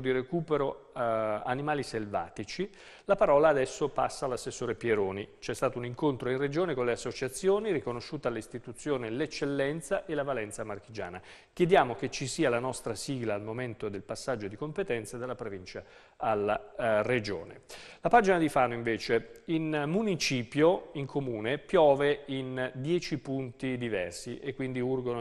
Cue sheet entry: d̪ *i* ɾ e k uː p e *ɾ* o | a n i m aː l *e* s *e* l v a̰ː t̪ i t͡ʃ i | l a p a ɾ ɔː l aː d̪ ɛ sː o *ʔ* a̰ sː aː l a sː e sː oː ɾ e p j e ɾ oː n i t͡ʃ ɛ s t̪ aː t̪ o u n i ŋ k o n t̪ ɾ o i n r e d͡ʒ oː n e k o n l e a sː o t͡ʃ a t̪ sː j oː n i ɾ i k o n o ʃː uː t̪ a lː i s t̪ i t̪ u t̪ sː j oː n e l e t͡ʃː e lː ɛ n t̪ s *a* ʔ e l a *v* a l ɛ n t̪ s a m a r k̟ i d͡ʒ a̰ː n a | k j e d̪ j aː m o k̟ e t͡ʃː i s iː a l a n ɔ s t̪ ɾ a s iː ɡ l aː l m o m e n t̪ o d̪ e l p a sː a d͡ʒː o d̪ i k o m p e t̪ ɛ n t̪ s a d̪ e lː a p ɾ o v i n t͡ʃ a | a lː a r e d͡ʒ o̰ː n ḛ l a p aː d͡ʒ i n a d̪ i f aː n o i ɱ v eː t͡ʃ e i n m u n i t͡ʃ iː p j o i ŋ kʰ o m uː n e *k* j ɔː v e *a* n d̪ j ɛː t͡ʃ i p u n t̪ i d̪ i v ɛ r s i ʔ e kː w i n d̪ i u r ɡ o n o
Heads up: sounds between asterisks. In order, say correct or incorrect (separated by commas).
correct, correct, incorrect, correct, incorrect, correct, correct, incorrect, incorrect